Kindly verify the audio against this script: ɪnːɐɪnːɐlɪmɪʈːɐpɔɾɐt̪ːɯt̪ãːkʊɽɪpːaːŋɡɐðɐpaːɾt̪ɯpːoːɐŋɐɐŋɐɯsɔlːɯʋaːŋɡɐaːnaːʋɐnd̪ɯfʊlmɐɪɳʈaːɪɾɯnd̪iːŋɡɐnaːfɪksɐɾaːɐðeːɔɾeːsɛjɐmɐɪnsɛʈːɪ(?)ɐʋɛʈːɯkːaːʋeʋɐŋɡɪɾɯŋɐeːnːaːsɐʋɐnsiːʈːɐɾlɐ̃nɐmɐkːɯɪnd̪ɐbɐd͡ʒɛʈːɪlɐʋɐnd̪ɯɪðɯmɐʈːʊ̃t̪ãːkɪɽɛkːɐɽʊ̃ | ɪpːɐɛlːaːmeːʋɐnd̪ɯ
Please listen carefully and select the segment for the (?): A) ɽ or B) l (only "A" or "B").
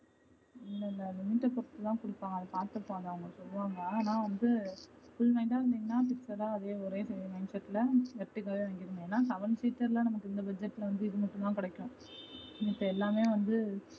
B